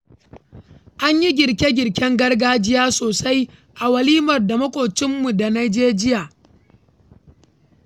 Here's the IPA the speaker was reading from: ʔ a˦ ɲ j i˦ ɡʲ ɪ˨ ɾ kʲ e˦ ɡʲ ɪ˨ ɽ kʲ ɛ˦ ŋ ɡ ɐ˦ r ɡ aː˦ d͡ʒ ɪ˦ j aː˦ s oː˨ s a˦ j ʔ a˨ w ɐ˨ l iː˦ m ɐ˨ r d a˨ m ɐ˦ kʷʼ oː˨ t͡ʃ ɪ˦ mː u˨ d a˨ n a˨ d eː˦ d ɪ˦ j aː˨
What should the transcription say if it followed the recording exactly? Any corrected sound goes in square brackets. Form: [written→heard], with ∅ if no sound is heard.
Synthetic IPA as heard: ʔ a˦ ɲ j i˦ ɡʲ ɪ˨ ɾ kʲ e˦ ɡʲ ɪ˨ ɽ kʲ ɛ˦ ŋ ɡ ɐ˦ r ɡ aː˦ d͡ʒ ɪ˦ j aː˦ s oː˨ s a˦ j ʔ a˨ w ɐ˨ l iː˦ m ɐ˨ r d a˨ m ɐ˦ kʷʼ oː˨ t͡ʃ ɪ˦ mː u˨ d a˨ n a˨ [d→d͡ʒ] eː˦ [d→d͡ʒ] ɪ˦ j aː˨